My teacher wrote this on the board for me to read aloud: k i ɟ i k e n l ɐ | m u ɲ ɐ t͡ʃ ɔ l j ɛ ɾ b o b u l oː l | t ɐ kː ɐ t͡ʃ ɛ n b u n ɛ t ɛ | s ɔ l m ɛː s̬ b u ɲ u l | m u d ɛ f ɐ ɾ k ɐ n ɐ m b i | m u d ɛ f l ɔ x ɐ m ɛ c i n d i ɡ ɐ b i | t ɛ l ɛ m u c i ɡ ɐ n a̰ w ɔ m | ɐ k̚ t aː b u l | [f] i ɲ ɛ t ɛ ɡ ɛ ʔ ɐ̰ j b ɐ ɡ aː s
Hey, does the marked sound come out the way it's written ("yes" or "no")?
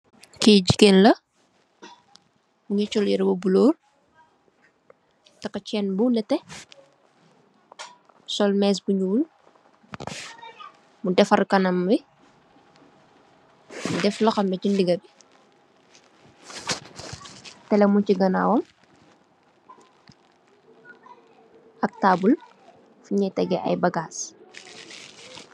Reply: yes